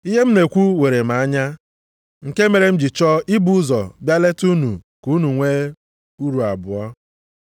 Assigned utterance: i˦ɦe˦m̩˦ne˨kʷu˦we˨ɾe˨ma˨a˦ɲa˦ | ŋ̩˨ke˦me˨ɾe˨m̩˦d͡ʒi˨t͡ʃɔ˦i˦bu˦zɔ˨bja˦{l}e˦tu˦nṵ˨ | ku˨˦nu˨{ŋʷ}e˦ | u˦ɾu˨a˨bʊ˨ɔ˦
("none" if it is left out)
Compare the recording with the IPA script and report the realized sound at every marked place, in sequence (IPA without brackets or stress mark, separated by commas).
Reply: l, ŋʷ